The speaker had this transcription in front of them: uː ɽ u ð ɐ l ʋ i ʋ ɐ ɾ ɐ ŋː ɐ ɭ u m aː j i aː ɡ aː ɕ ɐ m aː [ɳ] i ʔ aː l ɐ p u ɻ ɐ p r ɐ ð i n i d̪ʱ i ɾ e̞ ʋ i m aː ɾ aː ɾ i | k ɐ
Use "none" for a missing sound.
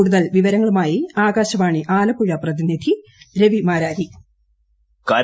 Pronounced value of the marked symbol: ɳ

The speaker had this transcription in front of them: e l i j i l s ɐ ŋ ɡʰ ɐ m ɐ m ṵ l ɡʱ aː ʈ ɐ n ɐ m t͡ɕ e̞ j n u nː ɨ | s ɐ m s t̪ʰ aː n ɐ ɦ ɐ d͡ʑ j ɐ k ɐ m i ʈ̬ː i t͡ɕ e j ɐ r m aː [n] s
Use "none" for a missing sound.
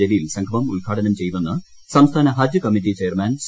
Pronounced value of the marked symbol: n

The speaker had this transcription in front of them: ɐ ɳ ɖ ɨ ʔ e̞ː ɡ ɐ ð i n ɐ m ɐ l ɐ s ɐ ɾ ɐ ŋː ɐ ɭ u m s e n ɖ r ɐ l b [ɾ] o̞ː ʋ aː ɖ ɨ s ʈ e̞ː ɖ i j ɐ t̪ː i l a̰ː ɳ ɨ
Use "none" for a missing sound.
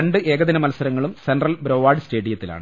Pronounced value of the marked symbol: ɾ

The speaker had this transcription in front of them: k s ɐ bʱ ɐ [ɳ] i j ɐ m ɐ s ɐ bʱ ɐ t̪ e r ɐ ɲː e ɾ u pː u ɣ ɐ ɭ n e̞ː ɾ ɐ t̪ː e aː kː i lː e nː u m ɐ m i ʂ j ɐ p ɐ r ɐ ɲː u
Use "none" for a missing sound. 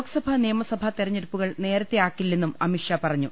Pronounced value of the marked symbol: n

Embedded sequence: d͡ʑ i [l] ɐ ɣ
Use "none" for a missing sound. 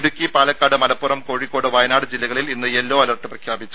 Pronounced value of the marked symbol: lː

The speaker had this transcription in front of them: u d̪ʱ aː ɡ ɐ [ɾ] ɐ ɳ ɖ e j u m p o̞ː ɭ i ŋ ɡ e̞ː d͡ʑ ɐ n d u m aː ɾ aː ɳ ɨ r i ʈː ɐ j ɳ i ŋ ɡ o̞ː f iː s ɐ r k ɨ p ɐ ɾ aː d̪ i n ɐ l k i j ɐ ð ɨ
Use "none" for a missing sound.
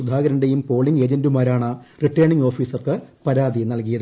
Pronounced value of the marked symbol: ɾ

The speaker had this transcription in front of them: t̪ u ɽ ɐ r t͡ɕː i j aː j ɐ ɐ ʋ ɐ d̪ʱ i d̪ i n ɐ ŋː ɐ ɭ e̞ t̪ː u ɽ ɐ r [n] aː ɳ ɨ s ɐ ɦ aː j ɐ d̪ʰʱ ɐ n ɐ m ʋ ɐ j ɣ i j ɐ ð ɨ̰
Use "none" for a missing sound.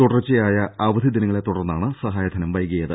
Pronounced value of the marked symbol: nː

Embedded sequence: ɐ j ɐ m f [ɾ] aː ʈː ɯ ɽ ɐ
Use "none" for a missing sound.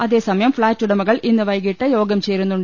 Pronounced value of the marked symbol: ɭ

